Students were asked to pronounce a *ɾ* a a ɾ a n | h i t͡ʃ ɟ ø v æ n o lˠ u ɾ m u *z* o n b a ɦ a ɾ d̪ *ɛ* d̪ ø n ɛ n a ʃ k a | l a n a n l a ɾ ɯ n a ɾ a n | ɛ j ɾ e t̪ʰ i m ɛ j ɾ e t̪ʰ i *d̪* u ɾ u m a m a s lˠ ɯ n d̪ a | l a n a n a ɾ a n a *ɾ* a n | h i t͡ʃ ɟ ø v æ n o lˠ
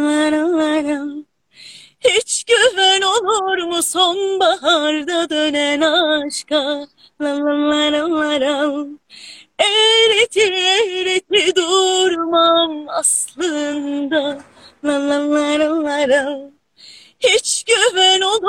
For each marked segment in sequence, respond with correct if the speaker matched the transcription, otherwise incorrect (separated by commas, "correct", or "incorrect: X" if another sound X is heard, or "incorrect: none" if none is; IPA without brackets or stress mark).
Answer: correct, incorrect: s, incorrect: a, correct, correct